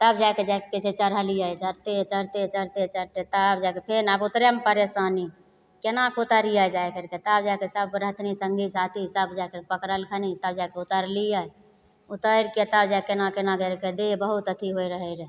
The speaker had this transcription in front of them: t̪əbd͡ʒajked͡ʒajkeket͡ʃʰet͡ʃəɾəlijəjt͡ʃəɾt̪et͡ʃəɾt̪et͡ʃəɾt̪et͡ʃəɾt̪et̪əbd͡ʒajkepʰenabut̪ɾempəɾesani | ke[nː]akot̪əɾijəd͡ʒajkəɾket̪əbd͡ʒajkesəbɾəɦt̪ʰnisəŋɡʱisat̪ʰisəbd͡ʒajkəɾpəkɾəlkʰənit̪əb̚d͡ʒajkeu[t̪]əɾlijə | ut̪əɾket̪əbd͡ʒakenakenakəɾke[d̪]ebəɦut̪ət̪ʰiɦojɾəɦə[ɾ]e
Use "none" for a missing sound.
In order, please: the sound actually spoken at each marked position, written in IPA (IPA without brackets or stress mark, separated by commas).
n, t̪, d̪, ɾ